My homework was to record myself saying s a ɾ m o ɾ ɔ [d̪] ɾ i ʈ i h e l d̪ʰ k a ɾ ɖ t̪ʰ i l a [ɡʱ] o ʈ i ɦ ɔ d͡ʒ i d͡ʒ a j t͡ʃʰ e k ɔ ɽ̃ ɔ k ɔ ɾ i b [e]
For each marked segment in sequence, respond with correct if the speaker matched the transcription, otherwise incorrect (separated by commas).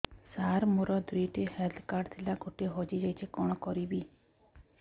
correct, correct, incorrect